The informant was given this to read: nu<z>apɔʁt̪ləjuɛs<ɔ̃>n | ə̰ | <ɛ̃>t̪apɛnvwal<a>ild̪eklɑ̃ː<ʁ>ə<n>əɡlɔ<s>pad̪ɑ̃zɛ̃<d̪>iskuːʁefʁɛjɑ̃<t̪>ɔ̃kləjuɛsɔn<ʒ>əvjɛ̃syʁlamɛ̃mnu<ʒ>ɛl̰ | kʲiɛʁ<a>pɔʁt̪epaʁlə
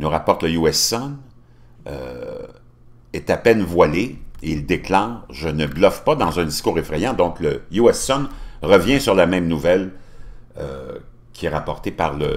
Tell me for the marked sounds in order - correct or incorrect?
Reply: incorrect, incorrect, incorrect, incorrect, incorrect, correct, incorrect, correct, incorrect, incorrect, incorrect, correct

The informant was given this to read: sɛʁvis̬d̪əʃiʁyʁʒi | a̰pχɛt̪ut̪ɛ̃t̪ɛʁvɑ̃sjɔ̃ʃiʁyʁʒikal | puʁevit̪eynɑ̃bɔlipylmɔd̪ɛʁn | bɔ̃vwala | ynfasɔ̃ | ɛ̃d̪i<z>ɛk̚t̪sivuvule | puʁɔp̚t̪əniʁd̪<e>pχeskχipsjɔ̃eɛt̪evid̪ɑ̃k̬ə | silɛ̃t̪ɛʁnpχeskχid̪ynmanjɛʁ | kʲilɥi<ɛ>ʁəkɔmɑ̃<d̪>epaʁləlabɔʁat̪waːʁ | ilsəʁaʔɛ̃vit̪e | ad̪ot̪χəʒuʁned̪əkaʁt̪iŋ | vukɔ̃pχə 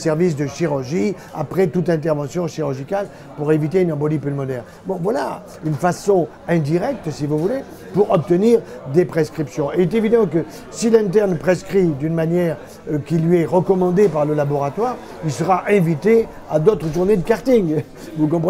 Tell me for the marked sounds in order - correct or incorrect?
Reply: incorrect, correct, correct, correct

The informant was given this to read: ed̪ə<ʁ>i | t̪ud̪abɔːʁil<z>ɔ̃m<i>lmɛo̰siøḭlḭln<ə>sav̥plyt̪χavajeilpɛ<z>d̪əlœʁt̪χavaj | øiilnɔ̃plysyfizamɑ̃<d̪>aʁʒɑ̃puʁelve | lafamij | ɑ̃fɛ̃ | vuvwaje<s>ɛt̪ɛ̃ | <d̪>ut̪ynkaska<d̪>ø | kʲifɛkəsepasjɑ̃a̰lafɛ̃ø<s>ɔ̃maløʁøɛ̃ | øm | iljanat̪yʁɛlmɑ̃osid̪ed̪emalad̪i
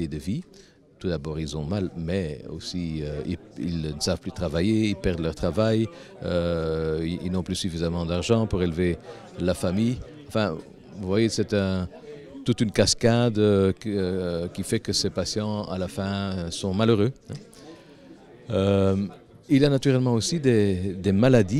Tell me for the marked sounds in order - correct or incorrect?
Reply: incorrect, correct, incorrect, correct, incorrect, correct, correct, incorrect, correct, correct

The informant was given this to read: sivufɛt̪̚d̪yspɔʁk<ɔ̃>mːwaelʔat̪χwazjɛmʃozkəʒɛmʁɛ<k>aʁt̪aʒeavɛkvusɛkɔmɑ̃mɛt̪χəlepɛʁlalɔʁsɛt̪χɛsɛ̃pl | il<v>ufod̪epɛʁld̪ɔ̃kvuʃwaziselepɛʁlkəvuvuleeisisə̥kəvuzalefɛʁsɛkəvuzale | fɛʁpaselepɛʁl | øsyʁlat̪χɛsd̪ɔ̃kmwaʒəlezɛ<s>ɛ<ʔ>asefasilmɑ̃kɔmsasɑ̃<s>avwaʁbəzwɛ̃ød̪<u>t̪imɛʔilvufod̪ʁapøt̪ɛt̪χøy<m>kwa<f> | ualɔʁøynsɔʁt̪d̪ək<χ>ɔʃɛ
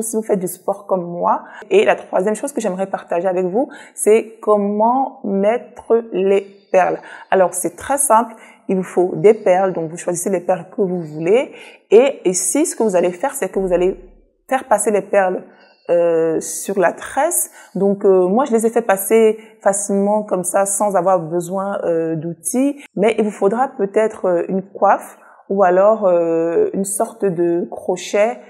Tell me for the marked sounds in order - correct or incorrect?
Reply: incorrect, incorrect, correct, incorrect, incorrect, incorrect, correct, incorrect, correct, correct

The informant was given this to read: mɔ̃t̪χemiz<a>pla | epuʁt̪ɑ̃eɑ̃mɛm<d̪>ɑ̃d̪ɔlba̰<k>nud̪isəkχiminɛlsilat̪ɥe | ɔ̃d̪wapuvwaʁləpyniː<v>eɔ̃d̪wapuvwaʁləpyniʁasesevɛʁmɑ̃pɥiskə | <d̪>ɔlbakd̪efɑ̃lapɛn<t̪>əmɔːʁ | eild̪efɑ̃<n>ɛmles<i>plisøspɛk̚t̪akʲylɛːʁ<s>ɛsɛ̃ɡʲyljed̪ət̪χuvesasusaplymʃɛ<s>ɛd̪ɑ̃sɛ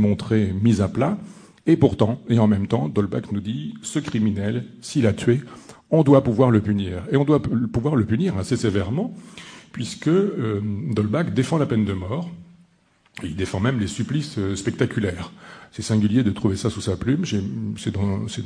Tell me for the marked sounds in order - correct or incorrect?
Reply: correct, incorrect, correct, incorrect, correct, incorrect, incorrect, incorrect, correct, correct

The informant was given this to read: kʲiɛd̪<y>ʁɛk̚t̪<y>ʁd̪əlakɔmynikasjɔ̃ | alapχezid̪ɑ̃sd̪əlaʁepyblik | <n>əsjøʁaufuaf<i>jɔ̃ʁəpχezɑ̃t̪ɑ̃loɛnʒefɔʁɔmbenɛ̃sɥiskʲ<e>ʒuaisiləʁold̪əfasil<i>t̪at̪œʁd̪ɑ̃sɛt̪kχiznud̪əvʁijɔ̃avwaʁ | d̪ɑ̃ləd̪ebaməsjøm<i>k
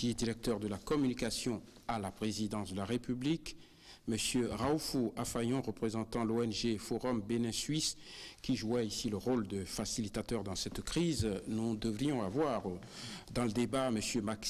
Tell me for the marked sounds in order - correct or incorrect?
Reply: incorrect, incorrect, incorrect, incorrect, incorrect, correct, incorrect

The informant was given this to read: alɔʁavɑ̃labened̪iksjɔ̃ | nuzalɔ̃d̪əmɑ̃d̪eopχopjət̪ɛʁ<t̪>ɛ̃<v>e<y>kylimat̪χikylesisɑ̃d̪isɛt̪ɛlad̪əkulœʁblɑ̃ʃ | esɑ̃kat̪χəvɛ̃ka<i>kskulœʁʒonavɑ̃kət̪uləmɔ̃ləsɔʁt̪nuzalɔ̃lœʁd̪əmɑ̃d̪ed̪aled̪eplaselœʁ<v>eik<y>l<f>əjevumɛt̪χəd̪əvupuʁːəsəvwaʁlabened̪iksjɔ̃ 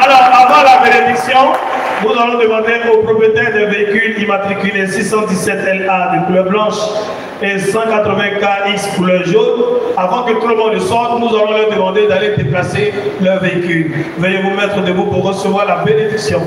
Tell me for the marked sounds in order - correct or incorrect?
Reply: incorrect, correct, incorrect, correct, correct, correct, incorrect

